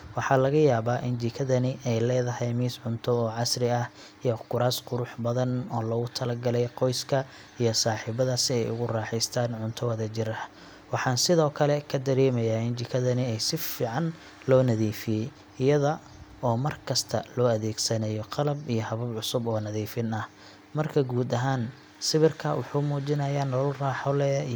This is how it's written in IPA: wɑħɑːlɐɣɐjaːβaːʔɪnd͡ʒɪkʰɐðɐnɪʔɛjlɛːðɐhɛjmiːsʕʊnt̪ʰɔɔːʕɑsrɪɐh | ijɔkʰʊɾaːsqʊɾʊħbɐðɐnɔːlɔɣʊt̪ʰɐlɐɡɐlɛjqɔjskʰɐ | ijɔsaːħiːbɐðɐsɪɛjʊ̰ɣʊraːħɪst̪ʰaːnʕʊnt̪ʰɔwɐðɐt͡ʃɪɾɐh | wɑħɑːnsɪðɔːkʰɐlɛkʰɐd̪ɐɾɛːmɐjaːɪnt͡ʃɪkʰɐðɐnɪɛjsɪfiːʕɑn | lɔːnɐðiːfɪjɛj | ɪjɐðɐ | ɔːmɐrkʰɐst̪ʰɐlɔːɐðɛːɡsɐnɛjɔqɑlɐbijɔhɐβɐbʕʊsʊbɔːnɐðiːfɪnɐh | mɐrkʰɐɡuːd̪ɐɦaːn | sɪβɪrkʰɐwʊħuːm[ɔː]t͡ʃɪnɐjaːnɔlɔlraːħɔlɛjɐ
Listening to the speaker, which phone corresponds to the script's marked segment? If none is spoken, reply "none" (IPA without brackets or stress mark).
uː